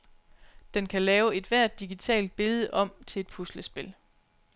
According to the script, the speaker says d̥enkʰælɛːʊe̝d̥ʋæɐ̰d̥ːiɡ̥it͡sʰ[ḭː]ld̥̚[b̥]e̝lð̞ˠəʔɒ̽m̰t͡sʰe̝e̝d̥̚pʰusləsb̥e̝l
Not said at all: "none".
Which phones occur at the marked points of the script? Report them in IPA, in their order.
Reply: ɛ̰ː, b̥

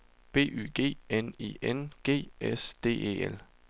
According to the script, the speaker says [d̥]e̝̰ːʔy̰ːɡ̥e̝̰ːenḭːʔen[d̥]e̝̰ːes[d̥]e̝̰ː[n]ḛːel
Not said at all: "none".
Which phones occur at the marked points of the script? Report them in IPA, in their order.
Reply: b̥, ɡ̥, d̥, none

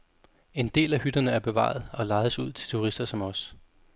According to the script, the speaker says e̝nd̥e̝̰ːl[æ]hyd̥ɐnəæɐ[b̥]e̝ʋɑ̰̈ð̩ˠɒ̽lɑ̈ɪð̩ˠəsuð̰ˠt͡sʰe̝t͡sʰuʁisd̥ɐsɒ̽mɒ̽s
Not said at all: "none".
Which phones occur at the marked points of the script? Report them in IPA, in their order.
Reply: æ, b̥

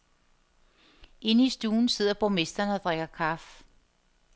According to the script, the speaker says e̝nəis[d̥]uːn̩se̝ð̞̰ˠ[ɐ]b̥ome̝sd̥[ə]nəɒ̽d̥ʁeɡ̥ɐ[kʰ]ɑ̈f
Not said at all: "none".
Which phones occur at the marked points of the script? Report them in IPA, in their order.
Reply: d̥, ɐ, ɐ, kʰ

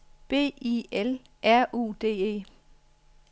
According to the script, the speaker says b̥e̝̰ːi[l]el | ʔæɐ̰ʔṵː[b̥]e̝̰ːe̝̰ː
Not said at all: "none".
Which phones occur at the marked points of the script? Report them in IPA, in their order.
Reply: none, d̥

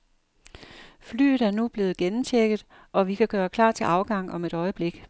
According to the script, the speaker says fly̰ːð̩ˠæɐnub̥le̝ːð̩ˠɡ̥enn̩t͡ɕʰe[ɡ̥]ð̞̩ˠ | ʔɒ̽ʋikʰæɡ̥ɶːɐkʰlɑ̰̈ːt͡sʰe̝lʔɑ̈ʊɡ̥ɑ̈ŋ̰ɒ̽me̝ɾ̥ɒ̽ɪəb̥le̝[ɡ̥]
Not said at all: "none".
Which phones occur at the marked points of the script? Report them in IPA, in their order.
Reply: ɡ̥, ɡ̥

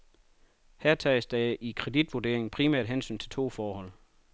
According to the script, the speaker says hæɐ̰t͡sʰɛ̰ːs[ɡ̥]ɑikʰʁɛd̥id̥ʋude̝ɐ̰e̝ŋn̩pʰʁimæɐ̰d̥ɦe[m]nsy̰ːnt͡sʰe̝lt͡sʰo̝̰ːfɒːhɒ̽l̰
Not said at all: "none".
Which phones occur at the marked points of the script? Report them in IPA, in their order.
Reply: d̥, none

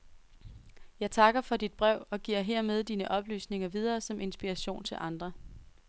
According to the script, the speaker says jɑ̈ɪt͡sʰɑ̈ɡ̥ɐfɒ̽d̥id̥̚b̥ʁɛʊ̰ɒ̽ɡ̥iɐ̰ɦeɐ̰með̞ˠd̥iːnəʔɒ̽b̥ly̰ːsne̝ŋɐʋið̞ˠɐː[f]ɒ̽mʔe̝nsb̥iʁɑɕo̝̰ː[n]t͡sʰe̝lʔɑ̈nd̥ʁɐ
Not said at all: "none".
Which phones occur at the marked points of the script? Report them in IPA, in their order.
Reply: s, n

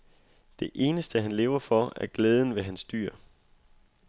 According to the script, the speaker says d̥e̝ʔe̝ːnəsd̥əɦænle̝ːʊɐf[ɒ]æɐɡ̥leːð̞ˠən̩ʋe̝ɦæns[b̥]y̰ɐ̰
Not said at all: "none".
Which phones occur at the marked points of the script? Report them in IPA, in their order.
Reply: ɒ, d̥

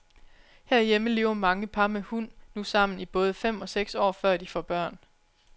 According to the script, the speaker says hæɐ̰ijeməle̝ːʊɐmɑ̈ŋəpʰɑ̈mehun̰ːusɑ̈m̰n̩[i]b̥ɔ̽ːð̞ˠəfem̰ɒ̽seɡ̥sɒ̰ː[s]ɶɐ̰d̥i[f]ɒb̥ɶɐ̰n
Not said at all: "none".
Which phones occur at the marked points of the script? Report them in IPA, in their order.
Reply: i, f, f

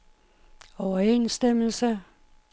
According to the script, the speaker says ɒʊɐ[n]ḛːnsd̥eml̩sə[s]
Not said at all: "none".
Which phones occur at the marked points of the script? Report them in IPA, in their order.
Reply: none, none

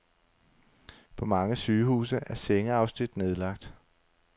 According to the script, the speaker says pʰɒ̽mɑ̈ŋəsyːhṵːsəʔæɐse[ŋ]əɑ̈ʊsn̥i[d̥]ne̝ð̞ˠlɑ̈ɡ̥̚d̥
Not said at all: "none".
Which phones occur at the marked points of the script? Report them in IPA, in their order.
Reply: ŋ, d̥

